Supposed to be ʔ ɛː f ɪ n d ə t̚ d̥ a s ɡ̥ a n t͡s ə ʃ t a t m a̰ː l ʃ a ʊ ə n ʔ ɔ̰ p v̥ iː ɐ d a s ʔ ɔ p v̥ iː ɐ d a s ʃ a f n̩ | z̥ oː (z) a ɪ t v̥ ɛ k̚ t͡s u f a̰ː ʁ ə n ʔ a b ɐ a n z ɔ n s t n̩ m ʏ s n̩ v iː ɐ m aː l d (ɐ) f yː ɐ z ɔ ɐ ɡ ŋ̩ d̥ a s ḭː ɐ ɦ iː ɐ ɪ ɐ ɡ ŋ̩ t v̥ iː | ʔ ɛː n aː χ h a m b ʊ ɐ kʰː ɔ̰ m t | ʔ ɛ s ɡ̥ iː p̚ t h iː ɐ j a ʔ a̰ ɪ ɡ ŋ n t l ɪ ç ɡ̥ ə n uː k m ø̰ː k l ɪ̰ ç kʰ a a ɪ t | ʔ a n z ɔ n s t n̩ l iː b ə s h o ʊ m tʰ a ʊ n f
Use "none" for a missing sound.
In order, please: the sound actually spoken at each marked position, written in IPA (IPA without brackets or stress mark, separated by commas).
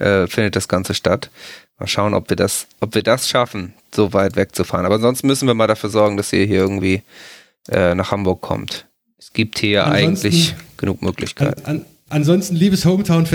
v, a